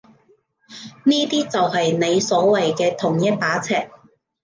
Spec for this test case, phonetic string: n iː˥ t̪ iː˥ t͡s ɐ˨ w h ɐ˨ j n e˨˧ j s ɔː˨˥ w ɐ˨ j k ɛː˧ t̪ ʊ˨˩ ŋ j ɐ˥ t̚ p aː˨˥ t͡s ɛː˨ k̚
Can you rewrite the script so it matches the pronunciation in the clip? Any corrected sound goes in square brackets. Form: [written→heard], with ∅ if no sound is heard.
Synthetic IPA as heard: n iː˥ t̪ iː˥ t͡s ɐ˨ w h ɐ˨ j n e˨˧ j s ɔː˨˥ w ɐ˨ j k ɛː˧ [t̪→t̪ʰ] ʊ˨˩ ŋ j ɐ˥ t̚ p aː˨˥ [t͡s→t͡sʰ] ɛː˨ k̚